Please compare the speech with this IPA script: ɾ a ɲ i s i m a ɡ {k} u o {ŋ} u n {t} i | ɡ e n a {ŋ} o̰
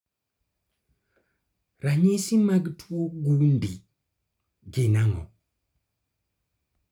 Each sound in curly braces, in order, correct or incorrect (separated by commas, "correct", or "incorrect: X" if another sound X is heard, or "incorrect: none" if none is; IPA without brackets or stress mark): incorrect: t, incorrect: ɡ, incorrect: d, correct